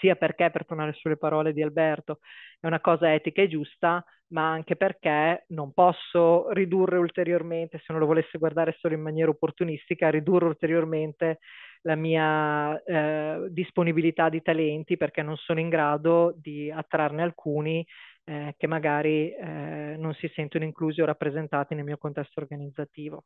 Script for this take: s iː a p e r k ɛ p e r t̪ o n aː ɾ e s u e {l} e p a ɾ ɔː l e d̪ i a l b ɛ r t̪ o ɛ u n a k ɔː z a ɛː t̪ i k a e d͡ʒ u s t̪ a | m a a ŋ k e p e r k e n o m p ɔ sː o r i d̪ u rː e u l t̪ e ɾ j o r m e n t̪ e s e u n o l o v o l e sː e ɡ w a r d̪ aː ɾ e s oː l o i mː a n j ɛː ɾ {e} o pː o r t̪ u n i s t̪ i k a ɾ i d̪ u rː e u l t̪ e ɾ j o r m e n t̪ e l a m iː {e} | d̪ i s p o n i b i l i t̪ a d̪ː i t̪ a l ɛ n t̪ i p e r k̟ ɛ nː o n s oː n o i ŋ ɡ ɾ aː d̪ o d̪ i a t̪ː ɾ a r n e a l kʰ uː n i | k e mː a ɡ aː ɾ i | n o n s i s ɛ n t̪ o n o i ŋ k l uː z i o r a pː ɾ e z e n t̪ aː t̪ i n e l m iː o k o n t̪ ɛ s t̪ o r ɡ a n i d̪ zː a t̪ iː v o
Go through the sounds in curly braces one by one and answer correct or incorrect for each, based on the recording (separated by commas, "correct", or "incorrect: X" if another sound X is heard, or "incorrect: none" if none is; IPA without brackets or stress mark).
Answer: correct, incorrect: a, incorrect: a